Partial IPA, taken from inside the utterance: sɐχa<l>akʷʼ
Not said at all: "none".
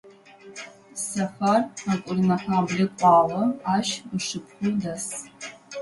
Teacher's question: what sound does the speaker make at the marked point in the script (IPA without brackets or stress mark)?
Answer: r